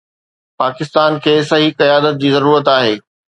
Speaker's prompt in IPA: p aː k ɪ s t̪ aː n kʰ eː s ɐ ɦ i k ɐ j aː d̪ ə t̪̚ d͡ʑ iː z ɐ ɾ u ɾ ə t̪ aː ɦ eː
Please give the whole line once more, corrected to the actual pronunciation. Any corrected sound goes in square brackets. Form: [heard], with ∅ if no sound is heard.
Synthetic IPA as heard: p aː k ɪ s t̪ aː n kʰ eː s ɐ ɦ i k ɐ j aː d̪ ə t̪̚ d͡ʑ iː z ɐ ɾ [uː] ɾ ə t̪ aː ɦ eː